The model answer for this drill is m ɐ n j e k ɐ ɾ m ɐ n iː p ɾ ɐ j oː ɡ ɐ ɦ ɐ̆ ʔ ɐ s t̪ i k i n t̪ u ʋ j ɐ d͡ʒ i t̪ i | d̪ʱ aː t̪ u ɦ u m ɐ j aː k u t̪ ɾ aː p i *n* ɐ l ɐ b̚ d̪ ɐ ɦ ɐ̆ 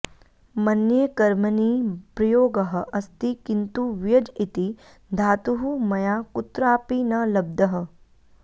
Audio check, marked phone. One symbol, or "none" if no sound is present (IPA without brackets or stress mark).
n